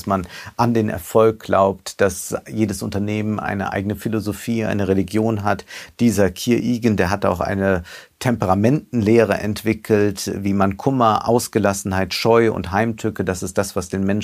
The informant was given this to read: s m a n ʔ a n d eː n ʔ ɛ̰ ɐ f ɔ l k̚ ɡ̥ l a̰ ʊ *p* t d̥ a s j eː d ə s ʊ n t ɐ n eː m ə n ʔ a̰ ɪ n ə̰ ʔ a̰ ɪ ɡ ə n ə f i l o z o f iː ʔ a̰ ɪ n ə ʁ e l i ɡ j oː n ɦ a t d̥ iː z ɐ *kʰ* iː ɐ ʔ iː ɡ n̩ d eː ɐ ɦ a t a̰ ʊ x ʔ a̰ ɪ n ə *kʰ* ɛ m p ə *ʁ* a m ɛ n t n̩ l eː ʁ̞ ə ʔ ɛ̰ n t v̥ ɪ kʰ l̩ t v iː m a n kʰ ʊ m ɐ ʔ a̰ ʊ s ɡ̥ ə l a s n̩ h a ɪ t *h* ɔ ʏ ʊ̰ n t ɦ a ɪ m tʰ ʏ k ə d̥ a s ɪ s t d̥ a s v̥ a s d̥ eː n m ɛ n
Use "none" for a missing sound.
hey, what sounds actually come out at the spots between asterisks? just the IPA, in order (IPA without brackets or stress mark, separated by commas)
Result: p, kʰ, tʰ, ʁ, ʃ